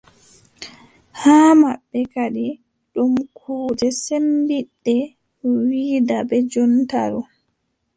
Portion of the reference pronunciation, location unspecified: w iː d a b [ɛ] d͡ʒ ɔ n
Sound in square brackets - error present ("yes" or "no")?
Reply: no